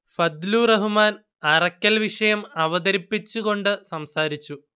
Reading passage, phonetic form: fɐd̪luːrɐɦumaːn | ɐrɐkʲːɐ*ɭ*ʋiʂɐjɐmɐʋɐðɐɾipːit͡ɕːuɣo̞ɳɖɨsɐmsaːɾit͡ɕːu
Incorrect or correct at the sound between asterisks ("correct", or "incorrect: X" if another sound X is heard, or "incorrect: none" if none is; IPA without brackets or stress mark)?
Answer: incorrect: l